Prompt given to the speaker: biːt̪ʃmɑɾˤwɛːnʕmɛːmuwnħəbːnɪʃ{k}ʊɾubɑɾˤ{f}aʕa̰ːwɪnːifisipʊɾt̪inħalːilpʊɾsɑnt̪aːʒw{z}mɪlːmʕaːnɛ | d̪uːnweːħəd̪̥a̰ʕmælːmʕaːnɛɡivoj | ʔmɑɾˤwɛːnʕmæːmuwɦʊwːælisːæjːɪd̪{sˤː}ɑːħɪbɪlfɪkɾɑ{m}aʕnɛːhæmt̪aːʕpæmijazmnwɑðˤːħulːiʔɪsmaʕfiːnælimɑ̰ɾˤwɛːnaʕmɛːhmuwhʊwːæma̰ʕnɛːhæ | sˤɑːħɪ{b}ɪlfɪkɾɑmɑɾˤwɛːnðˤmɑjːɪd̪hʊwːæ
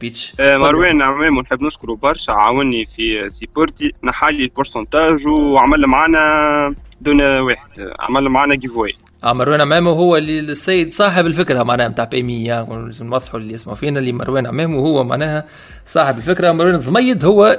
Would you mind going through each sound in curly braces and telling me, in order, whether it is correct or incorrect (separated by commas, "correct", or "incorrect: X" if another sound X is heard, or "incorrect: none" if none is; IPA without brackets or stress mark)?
correct, incorrect: ʃ, incorrect: ʕ, incorrect: sˤ, correct, correct